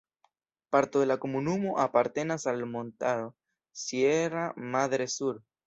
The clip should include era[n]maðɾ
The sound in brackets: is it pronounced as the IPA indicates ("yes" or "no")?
no